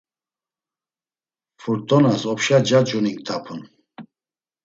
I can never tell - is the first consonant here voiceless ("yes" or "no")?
yes